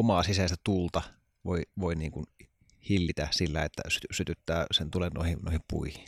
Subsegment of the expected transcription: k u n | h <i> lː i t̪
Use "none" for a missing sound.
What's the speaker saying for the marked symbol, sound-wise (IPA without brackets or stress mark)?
i